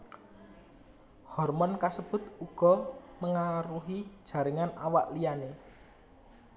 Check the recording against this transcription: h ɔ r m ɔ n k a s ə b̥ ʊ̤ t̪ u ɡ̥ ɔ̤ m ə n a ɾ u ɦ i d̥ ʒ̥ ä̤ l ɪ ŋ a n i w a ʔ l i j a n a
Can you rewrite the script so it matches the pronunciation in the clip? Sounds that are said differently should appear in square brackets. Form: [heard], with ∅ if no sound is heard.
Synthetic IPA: h ɔ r m ɔ n k a s ə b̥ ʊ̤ t̪ u ɡ̥ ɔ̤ m ə [ŋ] a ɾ u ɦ i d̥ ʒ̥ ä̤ [ɾ] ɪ ŋ a n [a] w a ʔ l i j a n [e]